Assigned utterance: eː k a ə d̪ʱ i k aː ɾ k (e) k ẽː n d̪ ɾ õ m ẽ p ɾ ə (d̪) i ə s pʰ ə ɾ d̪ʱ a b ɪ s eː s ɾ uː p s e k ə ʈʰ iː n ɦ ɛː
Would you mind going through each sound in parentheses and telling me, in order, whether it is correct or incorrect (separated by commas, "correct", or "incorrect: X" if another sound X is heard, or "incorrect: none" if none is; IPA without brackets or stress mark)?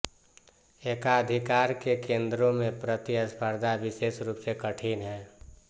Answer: correct, incorrect: t̪